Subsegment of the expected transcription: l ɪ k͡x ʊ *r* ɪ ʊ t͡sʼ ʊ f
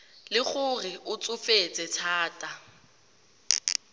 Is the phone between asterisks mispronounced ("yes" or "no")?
no